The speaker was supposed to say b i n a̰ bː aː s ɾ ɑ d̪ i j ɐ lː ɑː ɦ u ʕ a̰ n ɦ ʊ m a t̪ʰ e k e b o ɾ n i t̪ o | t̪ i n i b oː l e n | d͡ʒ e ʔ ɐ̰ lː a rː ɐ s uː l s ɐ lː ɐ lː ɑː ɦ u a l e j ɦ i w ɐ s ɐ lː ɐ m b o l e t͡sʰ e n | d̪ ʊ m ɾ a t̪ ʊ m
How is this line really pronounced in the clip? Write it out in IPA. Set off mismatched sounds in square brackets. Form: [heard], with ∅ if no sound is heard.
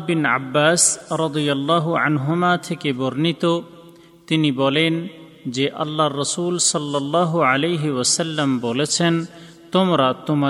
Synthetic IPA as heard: b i n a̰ bː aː s ɾ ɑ d̪ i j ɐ lː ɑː ɦ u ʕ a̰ n ɦ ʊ m a t̪ʰ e k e b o ɾ n i t̪ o | t̪ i n i b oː l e n | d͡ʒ e ʔ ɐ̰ lː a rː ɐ s uː l s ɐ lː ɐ lː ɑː ɦ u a l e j ɦ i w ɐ s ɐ lː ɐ m b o l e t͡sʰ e n | [t̪] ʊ m ɾ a t̪ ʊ m